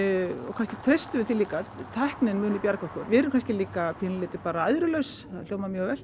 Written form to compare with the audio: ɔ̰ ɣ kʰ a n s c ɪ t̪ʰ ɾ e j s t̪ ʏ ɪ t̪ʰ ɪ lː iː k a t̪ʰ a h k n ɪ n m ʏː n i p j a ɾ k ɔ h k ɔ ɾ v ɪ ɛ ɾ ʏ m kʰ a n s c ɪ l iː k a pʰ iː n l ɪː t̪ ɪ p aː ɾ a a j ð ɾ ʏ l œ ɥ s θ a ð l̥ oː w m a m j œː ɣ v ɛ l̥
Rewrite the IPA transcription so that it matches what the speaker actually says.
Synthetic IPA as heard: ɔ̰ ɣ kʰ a n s c ɪ t̪ʰ ɾ e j s t̪ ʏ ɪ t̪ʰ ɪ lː iː k a t̪ʰ a h k n ɪ n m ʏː n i p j a ɾ k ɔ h k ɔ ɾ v ɪ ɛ ɾ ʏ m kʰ a n s c ɪ l iː k a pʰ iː n l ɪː t̪ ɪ p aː ɾ a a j ð ɾ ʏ l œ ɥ s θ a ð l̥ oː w m a m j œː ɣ v ɛ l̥

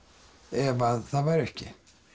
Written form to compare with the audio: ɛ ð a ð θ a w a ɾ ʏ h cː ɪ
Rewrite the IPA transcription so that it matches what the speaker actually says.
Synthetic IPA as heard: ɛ v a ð θ a v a ɾ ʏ h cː ɪ

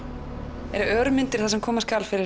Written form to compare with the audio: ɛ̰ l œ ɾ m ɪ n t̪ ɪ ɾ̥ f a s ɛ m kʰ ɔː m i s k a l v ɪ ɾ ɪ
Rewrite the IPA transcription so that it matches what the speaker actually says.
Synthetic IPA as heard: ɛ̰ ɾ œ ɾ m ɪ n t̪ ɪ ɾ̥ θ a s ɛ m kʰ ɔː m a s k a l f ɪ ɾ ɪ

